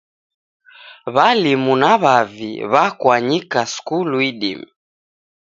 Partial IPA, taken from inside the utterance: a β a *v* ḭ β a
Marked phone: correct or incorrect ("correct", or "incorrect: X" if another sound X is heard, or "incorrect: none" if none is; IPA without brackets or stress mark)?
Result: correct